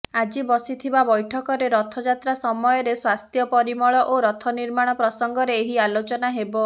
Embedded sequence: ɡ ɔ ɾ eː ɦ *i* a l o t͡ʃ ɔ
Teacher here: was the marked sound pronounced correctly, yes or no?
yes